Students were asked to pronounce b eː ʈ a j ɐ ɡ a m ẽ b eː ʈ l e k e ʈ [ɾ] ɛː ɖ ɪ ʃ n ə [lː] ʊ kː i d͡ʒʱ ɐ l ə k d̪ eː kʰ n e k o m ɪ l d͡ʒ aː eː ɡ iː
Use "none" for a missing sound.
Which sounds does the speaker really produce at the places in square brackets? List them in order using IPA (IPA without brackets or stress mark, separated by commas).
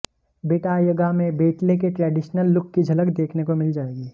ɾ, lː